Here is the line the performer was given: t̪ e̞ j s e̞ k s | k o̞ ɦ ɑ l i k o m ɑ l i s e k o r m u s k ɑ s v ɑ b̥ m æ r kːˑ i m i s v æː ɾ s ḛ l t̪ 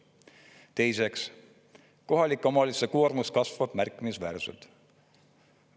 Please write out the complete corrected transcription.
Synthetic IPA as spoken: t̪ e̞ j s e̞ k s | k o̞ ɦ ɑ l i k o m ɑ l i s e k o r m u s k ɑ s v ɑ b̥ m æ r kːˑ i m i s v æː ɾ s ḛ l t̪